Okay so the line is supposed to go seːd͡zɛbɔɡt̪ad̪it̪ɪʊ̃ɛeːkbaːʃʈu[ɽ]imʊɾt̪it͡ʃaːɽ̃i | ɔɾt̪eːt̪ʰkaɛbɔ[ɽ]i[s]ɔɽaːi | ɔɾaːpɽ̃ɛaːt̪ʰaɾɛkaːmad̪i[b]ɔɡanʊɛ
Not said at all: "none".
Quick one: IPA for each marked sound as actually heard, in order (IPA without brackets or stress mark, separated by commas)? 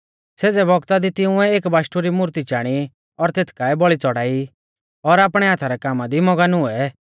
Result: ɾ, ɭ, t͡s, m